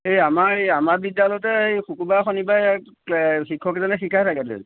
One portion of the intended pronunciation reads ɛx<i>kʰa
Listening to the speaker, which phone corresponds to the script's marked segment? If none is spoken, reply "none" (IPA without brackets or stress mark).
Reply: i